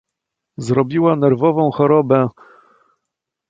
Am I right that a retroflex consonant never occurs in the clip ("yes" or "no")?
yes